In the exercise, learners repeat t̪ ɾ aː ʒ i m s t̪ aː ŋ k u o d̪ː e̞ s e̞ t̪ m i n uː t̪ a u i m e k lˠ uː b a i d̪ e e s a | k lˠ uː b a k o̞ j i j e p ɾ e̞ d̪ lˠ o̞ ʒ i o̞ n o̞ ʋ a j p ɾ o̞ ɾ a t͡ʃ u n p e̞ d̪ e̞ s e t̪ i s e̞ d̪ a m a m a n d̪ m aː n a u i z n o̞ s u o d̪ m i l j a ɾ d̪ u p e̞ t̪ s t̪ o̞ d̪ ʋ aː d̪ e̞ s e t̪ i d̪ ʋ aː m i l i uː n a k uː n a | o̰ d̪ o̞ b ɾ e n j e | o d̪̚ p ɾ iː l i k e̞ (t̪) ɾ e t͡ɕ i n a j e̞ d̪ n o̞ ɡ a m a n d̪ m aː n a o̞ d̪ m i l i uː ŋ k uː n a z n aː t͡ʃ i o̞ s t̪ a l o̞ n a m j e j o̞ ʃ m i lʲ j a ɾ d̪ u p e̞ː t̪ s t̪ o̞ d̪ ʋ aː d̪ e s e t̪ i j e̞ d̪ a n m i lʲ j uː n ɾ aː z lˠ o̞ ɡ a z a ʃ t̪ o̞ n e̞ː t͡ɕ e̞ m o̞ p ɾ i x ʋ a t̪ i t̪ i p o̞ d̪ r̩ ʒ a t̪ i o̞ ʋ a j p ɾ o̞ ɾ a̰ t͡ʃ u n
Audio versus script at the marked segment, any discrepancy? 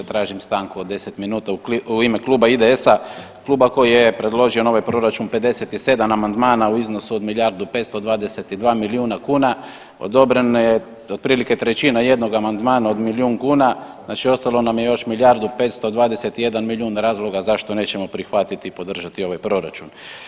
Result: no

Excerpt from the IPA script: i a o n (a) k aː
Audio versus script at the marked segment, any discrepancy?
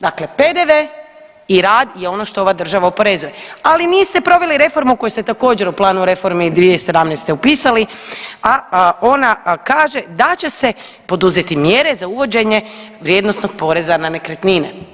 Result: no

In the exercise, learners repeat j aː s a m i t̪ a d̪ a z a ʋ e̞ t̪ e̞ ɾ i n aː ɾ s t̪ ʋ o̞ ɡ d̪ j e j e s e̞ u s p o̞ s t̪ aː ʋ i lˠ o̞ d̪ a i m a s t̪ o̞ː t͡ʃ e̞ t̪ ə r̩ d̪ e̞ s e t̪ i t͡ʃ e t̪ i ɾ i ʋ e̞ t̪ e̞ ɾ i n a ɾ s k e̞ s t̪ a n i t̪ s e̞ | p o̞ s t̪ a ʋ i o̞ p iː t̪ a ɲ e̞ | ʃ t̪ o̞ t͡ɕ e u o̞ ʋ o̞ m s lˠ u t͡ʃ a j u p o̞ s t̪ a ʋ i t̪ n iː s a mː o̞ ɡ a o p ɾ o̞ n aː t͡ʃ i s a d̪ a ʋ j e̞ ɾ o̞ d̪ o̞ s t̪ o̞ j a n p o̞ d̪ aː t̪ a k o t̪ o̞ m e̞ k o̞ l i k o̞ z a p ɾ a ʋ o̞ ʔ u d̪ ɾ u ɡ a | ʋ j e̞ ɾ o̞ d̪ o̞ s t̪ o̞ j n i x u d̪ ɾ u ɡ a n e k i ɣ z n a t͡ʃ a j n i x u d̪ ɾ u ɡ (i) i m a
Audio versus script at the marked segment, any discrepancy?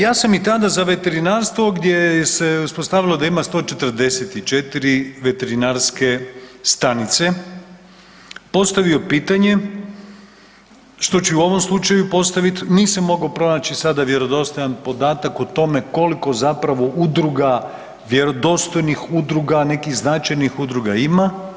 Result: yes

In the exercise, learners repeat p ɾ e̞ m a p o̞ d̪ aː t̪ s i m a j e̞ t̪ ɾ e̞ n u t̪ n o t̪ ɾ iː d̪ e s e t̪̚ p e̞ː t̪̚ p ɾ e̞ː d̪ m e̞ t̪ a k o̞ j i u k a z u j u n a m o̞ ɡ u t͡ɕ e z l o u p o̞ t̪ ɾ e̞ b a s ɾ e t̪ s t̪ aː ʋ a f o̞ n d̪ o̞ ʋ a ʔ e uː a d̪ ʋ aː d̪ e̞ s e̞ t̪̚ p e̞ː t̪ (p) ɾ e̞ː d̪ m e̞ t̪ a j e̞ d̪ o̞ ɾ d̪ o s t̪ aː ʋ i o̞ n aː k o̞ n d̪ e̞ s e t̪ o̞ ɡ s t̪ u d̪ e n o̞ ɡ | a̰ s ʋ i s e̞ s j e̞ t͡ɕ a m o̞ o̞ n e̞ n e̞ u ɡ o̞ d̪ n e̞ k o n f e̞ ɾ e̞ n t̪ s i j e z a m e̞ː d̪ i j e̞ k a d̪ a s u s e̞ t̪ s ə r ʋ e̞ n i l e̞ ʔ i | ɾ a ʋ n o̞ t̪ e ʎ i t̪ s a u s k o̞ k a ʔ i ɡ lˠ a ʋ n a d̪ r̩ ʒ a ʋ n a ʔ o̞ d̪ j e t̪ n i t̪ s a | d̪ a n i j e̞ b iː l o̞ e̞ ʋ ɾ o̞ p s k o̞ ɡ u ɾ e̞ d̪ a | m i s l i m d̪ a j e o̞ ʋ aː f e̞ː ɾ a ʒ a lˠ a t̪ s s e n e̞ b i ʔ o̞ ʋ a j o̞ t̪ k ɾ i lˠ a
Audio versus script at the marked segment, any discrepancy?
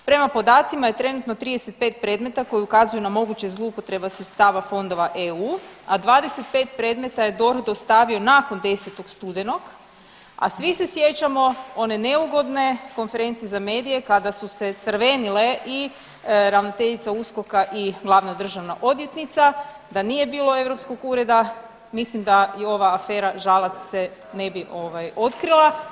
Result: no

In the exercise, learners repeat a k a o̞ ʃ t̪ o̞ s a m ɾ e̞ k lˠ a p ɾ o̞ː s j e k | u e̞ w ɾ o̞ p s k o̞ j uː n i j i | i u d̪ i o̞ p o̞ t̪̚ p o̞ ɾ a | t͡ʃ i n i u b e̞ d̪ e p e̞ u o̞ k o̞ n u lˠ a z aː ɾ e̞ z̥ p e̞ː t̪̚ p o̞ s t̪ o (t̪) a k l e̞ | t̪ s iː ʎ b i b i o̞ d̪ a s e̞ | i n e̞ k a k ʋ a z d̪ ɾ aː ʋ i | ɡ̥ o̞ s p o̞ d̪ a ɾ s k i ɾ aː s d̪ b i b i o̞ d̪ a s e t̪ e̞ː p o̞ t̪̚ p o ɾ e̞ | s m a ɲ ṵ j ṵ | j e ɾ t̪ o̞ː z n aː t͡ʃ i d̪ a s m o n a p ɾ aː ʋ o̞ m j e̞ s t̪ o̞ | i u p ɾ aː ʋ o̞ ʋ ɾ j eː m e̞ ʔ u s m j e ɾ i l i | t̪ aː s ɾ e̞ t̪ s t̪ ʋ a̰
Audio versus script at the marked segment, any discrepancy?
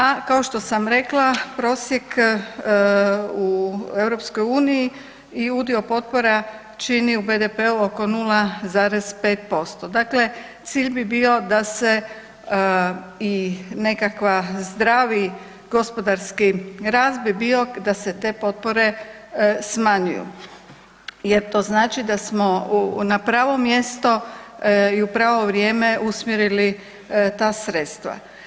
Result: yes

